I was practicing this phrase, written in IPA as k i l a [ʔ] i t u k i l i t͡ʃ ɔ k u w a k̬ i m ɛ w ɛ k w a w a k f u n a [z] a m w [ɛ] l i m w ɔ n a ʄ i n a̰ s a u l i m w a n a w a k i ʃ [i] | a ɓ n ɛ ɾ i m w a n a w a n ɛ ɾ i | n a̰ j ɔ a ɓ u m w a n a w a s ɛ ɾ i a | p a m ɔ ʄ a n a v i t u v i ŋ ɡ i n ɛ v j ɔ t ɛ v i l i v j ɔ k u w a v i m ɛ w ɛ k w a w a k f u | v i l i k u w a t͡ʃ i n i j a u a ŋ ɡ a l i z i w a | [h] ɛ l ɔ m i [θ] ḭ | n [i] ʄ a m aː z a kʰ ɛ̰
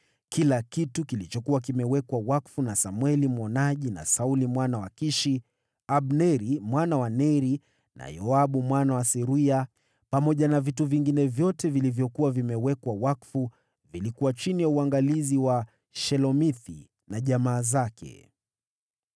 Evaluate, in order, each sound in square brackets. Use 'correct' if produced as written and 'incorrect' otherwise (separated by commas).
incorrect, incorrect, correct, correct, incorrect, correct, incorrect